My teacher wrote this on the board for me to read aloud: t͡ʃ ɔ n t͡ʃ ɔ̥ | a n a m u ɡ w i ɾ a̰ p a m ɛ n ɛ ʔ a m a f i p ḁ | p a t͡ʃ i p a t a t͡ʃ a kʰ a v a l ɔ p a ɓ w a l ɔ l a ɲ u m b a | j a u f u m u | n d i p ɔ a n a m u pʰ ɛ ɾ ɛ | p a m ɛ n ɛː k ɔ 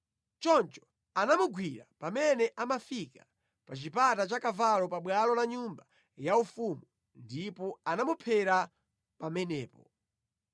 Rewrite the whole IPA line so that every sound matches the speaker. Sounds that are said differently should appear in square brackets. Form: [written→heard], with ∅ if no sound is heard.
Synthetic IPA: t͡ʃ ɔ n t͡ʃ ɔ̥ | a n a m u ɡ w i ɾ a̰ p a m ɛ n ɛ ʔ a m a f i [p→k] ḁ | p a t͡ʃ i p a t a t͡ʃ a [kʰ→k] a v a l ɔ p a ɓ w a l ɔ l a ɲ u m b a | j a u f u m u | n d i p ɔ a n a m u pʰ ɛ ɾ [ɛ→a] | p a m ɛ n ɛː [k→p] ɔ